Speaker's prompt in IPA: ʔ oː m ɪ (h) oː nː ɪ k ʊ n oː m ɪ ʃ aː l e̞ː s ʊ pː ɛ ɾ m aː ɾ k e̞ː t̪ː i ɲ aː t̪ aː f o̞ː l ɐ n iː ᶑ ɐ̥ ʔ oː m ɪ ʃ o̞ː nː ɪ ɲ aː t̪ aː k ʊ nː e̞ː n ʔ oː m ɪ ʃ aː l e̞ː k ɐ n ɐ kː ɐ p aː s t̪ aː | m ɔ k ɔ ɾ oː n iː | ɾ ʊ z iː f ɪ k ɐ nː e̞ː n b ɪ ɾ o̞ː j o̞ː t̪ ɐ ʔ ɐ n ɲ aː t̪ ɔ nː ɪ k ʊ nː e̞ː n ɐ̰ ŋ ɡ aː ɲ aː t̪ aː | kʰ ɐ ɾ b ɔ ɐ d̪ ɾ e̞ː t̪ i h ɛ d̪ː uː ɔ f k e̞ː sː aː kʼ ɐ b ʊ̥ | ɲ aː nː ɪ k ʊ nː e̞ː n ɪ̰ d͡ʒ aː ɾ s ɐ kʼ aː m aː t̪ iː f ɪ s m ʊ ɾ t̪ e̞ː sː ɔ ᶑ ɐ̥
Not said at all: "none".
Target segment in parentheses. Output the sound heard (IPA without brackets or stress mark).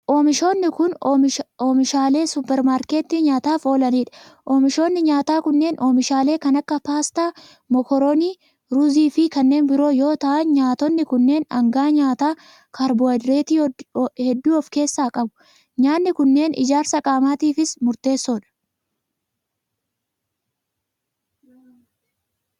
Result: ʃ